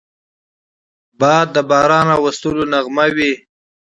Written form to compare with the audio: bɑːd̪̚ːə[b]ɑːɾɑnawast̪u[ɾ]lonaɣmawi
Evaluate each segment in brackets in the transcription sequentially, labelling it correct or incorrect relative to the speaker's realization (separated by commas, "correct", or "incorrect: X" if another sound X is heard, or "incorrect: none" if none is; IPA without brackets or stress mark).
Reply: correct, incorrect: none